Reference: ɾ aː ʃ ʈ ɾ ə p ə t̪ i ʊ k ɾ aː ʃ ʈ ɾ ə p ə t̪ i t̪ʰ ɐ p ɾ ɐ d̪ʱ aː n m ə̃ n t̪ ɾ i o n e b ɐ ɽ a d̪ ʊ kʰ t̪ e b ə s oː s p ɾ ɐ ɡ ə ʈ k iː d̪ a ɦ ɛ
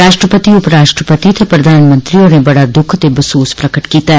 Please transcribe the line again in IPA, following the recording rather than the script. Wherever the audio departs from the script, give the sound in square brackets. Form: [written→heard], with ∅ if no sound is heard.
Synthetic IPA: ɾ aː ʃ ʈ ɾ ə p ə t̪ i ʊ [k→p] ɾ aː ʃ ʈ ɾ ə p ə t̪ i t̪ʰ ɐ p ɾ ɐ d̪ʱ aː n m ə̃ n t̪ ɾ i o n e b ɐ ɽ a d̪ ʊ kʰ t̪ e b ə s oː s p ɾ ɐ [ɡ→k] ə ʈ k iː [d̪→t̪] a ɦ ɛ